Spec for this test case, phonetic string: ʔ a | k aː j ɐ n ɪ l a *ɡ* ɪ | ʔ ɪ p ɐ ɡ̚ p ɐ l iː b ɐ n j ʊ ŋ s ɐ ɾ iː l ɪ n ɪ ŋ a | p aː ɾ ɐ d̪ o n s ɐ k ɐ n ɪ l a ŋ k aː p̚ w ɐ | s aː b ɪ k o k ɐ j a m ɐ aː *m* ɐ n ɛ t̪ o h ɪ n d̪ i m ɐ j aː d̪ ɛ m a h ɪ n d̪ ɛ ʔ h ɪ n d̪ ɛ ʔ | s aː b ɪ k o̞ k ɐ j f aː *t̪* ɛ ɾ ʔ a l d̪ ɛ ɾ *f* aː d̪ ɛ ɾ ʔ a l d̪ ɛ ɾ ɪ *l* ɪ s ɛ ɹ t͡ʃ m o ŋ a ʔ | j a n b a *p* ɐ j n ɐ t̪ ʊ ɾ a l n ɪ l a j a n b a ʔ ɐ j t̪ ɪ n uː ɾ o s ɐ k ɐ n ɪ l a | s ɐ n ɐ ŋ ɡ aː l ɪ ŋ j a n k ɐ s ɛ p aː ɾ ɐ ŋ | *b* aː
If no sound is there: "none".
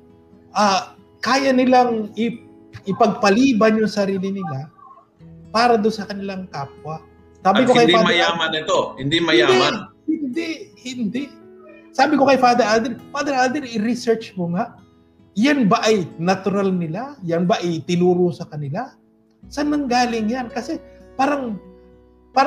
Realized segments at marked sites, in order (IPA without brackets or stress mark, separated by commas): ŋ, m, d̪, f, ɾ, ʔ, p